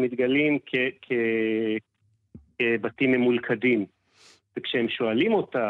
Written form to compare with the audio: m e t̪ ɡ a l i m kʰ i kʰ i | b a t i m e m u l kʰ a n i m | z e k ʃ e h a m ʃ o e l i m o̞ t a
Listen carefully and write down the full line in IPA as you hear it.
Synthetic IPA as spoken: m i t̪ ɡ a l i m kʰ e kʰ e | b a t i m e m u l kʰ a d i m | v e k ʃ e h e m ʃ o a l i m o̞ t a